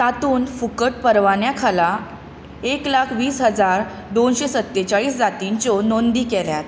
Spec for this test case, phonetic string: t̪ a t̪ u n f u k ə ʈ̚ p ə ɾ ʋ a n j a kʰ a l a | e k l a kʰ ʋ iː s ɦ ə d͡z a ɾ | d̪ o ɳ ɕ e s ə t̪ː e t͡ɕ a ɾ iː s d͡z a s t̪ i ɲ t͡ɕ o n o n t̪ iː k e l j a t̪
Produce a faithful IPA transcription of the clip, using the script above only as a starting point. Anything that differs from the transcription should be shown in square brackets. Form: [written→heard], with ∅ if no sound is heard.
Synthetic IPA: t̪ a t̪ [u→uː] n f u k ə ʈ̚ p ə ɾ ʋ a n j a kʰ a l a | e k l a kʰ ʋ iː s ɦ ə d͡z a ɾ | d̪ o [ɳ→n] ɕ e s ə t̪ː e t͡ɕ a [ɾ→ɭ] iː s d͡z a [s→∅] t̪ i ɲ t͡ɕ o n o n [t̪→d̪] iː k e l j a t̪